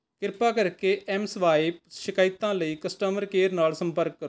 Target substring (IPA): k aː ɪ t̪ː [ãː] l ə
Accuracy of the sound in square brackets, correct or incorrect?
correct